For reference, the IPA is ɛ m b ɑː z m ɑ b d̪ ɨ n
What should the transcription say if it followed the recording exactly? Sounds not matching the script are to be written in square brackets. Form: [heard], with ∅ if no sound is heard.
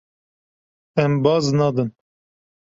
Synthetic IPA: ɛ m b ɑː z [n] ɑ [∅] d̪ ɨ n